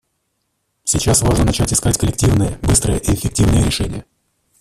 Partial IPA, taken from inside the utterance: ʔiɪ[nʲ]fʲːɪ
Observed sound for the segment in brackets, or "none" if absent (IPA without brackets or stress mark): none